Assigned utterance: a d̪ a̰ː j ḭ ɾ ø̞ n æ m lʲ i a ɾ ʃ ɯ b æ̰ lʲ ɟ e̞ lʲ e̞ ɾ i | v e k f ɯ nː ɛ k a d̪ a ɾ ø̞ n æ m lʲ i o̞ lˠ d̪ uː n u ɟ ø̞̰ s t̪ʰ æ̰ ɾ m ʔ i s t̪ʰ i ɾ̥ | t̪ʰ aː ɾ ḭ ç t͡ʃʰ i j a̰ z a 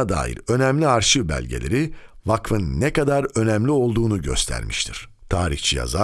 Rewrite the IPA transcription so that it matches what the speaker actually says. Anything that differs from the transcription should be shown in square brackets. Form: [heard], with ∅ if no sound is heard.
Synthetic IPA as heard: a d̪ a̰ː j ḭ ɾ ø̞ n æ m lʲ i a ɾ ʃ ɯ b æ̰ lʲ ɟ e̞ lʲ e̞ ɾ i | v [a] k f ɯ nː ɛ k a d̪ a ɾ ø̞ n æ m lʲ i o̞ lˠ d̪ uː n u ɟ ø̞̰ s t̪ʰ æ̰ ɾ m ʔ i [ʃ] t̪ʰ i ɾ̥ | t̪ʰ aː ɾ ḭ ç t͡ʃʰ i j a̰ z a